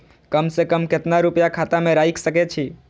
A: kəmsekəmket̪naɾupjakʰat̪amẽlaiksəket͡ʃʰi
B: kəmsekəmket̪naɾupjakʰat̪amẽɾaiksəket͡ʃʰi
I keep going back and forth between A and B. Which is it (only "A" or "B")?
B